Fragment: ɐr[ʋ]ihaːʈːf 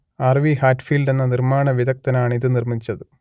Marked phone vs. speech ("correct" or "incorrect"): correct